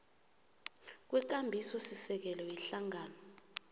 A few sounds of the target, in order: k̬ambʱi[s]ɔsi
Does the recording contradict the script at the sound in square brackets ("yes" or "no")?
no